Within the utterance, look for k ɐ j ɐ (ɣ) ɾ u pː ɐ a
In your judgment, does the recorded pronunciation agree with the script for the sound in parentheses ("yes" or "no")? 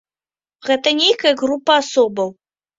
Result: yes